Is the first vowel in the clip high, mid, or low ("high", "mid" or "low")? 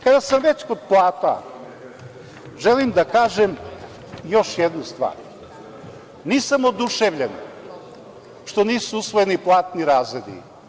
low